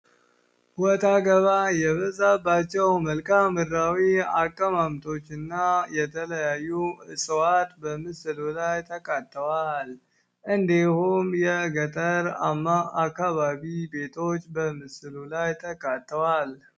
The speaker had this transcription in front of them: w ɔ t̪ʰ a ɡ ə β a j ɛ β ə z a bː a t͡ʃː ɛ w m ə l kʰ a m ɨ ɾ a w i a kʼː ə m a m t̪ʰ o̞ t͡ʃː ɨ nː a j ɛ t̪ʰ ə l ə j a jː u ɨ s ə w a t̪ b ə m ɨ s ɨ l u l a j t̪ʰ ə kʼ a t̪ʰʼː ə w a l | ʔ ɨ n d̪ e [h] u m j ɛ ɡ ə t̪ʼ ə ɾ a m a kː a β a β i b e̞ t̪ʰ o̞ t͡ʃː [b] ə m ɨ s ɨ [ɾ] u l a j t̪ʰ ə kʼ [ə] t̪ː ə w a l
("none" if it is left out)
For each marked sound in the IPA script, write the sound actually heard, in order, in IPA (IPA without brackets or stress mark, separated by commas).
h, b, l, a